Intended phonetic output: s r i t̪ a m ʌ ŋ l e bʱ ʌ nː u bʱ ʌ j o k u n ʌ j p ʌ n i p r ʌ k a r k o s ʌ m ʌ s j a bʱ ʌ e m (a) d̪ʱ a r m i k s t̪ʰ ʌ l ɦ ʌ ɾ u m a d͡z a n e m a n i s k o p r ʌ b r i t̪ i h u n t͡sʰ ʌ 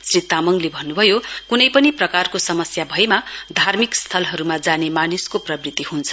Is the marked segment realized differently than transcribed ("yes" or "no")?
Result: no